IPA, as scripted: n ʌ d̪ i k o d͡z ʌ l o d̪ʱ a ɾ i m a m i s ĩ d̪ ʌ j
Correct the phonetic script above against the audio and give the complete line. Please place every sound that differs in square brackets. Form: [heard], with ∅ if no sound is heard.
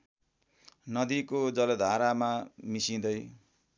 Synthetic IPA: n ʌ d̪ i k o d͡z ʌ l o d̪ʱ a ɾ [a] m a m i s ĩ d̪ ʌ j